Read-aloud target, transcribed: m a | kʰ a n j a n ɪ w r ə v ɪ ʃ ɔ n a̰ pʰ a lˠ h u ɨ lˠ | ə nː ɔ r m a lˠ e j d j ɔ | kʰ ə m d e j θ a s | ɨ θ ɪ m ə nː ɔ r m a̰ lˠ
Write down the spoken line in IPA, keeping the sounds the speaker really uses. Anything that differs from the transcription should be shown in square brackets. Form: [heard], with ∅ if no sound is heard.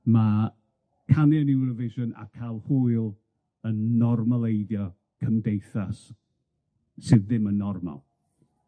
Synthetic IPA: m a | kʰ a n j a n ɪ w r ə v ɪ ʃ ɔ n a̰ [kʰ] a lˠ h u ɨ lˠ | ə nː ɔ r m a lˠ e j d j ɔ | kʰ ə m d e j θ a s | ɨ [ð] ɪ m ə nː ɔ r m a̰ lˠ